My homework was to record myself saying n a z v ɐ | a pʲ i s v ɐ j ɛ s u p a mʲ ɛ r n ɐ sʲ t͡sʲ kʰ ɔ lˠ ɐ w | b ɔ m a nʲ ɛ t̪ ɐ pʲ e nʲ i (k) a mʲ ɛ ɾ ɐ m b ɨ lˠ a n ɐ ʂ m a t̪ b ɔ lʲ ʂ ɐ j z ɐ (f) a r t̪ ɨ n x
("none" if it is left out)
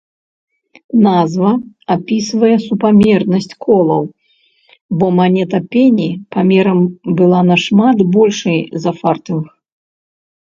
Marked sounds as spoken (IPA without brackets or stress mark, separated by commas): p, f